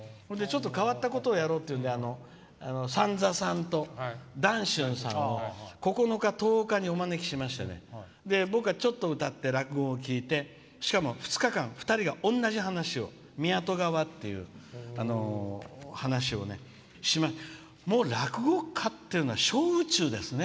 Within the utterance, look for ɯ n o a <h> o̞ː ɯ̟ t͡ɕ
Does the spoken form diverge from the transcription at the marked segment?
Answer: yes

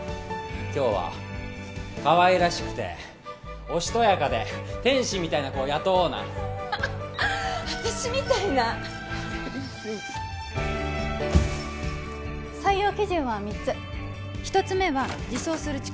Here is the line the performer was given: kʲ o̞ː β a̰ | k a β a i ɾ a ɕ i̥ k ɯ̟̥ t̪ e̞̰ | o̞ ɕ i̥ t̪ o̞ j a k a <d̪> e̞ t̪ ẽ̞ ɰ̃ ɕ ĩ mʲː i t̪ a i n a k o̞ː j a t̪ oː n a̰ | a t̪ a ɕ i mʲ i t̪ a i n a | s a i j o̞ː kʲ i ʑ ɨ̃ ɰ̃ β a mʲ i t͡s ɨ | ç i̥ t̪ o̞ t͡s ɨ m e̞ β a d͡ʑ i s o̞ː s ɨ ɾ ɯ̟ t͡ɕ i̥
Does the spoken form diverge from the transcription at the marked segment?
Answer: no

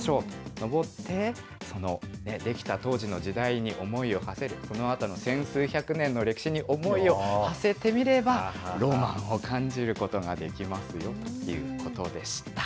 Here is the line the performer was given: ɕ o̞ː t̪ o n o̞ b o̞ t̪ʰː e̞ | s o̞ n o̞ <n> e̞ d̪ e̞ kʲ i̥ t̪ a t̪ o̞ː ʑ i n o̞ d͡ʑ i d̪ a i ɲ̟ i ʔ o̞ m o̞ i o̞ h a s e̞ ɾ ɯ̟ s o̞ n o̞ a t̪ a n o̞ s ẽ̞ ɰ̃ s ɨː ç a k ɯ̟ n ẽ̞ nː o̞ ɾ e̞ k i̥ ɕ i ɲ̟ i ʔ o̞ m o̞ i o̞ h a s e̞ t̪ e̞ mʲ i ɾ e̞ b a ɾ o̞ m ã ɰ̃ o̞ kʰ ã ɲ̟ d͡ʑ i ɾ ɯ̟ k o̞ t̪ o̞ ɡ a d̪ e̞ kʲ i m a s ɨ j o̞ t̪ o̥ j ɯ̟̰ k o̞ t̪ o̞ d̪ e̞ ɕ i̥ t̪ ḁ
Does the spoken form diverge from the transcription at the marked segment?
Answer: no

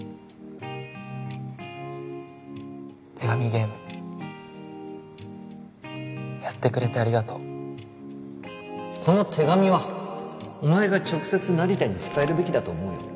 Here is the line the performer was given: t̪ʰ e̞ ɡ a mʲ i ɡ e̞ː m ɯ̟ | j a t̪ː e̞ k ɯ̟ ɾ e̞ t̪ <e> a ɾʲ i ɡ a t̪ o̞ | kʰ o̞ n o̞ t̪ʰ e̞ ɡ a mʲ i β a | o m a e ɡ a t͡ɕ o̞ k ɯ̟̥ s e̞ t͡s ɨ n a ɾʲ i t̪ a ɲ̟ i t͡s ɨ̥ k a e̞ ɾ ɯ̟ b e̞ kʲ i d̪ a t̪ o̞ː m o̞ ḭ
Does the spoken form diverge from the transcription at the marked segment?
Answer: no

